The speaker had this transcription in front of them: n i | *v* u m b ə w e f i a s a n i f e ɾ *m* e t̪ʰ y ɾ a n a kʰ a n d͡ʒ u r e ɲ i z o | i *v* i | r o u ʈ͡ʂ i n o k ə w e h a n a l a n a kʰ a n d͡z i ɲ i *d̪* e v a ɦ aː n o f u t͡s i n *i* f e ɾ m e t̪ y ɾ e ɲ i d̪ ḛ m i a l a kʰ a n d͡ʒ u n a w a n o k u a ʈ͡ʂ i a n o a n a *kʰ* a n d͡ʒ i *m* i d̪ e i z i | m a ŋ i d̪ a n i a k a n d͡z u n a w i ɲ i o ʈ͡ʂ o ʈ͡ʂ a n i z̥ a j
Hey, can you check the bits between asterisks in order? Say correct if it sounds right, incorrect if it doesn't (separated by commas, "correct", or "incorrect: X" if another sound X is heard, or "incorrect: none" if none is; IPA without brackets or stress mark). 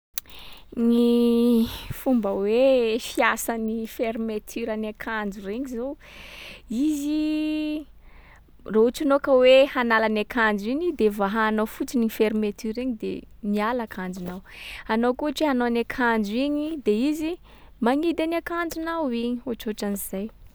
incorrect: f, correct, incorrect: z, correct, correct, correct, incorrect: ɲ